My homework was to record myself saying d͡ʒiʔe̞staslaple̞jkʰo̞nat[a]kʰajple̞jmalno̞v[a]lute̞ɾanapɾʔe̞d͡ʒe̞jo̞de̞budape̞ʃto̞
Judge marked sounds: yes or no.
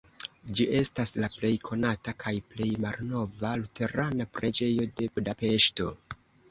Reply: yes, yes

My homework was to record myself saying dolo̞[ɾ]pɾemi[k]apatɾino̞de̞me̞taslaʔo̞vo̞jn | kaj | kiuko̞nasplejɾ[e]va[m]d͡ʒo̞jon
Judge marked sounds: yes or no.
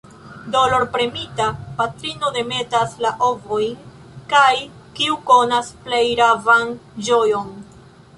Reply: yes, no, no, no

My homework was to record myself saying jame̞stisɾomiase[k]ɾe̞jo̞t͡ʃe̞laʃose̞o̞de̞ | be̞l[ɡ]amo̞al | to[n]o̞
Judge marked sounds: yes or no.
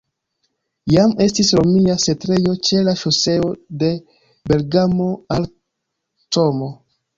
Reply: no, yes, no

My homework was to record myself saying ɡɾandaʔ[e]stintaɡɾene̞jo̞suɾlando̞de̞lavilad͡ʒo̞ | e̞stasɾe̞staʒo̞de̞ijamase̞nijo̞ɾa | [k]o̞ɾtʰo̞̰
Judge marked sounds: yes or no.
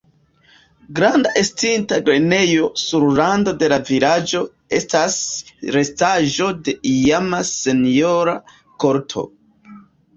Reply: yes, yes

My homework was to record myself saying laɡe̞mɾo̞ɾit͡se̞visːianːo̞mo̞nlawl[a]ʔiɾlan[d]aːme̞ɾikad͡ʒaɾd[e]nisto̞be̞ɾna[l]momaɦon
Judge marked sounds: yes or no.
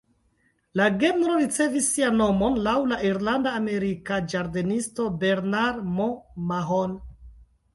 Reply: yes, yes, yes, no

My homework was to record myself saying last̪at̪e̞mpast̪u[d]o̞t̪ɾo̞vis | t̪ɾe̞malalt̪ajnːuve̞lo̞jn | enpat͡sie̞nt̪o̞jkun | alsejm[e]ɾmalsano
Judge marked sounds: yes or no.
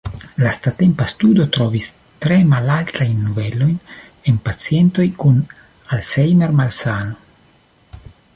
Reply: yes, yes

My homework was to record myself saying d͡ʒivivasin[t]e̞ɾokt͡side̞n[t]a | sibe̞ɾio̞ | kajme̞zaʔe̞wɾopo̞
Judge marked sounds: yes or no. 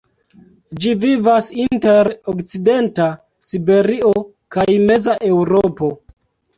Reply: yes, yes

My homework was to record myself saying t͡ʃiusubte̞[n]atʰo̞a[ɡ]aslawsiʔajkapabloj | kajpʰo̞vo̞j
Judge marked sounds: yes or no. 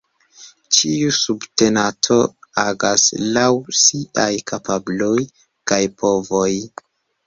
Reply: yes, yes

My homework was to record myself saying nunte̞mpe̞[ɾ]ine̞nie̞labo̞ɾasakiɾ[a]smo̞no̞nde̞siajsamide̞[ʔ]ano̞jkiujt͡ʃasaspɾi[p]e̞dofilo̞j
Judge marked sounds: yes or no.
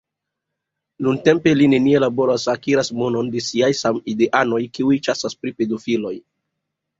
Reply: no, yes, yes, yes

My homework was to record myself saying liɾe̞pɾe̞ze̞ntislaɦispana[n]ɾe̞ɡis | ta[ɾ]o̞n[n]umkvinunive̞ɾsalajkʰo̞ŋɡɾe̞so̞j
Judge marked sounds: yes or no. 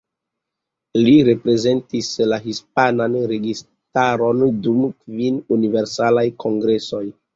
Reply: yes, yes, no

